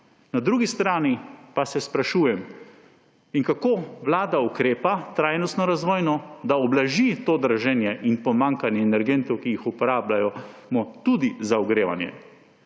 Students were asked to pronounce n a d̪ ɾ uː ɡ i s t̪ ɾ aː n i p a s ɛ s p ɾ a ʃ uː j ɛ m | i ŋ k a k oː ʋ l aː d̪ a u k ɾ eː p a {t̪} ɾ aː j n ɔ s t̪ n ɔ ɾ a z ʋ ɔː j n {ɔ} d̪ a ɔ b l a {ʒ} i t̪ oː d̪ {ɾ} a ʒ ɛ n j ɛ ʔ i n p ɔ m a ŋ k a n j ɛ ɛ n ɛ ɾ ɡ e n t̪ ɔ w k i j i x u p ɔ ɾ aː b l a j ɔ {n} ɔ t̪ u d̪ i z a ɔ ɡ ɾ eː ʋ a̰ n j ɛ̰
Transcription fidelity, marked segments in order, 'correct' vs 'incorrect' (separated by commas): correct, correct, correct, correct, incorrect